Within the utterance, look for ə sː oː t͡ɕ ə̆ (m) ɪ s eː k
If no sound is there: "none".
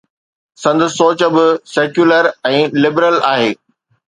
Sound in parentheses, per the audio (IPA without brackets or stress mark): b